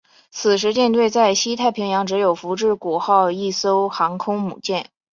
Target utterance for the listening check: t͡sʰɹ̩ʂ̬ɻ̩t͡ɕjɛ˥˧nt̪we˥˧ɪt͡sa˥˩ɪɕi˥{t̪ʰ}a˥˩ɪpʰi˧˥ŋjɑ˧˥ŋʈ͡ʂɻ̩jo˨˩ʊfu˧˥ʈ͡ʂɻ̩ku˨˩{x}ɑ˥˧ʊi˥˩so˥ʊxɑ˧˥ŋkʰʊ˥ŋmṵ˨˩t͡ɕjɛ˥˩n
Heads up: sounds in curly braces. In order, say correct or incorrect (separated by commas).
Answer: correct, correct